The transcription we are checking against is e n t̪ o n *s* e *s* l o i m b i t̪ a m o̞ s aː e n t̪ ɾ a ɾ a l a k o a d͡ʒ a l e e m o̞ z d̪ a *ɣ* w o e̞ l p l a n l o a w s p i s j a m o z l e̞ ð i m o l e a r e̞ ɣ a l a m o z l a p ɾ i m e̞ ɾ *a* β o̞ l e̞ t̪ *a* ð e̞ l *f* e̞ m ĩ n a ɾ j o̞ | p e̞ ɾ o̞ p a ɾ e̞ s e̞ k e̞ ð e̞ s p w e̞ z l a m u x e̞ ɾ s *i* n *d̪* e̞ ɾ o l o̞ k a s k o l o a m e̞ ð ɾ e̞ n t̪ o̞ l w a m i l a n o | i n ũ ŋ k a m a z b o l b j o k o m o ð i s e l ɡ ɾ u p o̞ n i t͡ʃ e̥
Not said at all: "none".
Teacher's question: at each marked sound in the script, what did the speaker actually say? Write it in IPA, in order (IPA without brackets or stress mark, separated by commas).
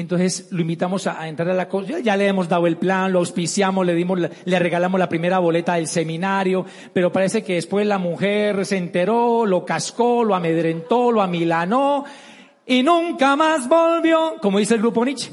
s, s, ð, a, a, s, e, t̪